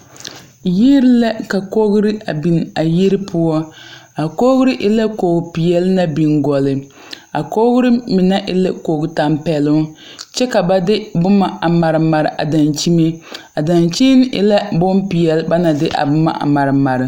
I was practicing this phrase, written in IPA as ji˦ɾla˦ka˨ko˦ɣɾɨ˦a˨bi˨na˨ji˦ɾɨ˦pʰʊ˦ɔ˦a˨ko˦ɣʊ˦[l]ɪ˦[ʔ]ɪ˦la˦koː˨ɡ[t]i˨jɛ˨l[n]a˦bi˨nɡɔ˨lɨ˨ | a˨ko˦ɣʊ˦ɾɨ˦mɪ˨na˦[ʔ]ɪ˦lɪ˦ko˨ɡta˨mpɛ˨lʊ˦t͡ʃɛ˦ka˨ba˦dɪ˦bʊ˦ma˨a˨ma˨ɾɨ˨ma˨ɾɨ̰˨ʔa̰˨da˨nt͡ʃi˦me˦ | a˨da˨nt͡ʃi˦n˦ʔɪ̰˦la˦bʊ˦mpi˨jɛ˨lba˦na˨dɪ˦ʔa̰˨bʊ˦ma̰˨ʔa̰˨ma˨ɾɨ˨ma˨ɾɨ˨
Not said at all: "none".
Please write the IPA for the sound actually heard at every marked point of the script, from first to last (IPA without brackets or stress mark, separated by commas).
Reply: ɾ, ʔ, p, n, ʔ